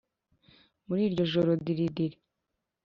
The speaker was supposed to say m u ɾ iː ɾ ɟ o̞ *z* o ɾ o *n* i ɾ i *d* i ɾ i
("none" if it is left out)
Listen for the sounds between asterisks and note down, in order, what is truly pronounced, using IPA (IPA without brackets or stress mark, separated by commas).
ʒ, d, d